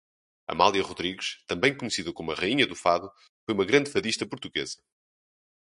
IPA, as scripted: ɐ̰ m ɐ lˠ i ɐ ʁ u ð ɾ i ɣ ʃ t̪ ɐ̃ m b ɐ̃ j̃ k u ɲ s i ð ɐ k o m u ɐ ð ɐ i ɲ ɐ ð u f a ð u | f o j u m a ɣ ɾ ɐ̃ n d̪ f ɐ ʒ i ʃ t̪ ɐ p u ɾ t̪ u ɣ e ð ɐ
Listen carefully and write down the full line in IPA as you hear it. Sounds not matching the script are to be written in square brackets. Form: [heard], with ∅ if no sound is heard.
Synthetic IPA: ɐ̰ m [a] lˠ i ɐ ʁ u ð ɾ i ɣ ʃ t̪ ɐ̃ m b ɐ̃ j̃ k u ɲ s i ð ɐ k o m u ɐ [ʁ] ɐ i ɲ ɐ ð u f a ð u | f o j u m [ɐ] ɣ ɾ ɐ̃ n d̪ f ɐ [ð] i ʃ t̪ ɐ p u ɾ t̪ u ɣ e [z] ɐ